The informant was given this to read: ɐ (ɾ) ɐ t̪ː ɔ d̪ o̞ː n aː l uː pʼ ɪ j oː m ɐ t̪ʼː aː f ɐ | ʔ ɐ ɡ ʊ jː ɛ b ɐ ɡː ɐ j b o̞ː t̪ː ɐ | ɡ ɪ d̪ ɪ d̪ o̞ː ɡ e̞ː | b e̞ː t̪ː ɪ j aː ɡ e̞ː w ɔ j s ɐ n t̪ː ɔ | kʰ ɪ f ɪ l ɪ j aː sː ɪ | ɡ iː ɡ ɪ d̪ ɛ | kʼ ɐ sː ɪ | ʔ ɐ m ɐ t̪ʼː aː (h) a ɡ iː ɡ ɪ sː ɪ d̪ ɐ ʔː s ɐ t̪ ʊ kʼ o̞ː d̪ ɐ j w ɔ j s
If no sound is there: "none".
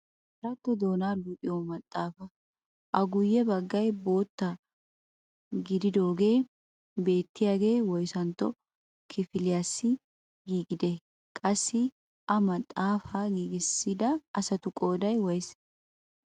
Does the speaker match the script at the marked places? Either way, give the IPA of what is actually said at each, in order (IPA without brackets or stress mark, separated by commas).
ɾ, f